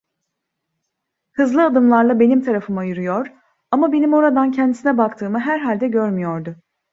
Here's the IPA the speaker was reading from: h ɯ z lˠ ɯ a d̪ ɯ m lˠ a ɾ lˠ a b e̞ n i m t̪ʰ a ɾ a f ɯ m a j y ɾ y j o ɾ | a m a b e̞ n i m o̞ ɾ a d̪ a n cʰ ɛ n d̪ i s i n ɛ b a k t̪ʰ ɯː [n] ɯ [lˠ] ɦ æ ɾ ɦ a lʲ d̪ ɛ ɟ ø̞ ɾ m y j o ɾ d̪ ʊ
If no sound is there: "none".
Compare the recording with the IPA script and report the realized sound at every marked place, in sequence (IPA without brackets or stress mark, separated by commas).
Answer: m, none